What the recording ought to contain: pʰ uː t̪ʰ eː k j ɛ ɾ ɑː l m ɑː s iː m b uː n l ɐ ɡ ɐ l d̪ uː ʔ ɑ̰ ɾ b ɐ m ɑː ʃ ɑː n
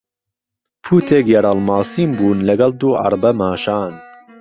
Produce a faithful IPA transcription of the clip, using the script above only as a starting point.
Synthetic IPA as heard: pʰ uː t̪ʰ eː k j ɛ ɾ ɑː l m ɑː s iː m b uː n l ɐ ɡ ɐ l d̪ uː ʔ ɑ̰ ɾ b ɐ m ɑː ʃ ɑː n